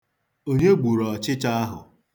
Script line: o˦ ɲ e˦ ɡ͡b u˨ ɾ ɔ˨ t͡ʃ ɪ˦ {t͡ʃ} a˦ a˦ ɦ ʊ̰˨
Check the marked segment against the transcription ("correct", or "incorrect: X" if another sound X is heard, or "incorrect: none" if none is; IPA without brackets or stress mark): correct